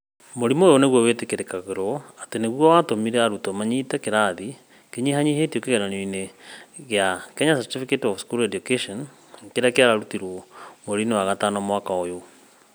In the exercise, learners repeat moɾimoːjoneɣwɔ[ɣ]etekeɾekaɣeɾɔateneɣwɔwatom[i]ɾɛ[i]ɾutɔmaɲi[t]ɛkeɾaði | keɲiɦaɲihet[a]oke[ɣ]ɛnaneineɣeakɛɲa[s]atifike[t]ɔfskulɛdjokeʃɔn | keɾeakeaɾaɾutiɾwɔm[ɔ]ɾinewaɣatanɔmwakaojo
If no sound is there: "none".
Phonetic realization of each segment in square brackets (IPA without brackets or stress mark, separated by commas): w, i, a, t, i, ɣ, s, t, o